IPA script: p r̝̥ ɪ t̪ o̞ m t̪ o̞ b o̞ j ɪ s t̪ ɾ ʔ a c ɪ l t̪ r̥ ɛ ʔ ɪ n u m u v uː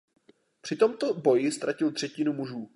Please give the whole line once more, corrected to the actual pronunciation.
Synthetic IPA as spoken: p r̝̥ ɪ t̪ o̞ m t̪ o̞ b o̞ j ɪ s t̪ ɾ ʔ a c ɪ l t̪ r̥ ɛ c ɪ n u m u ʒ uː